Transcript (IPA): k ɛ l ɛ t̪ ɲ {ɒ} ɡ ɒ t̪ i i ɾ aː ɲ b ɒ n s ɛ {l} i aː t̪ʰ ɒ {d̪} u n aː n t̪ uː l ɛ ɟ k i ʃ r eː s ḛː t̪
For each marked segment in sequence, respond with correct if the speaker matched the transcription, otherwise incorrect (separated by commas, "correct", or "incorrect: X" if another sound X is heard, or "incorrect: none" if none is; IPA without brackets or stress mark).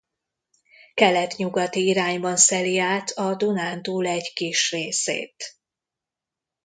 incorrect: u, correct, correct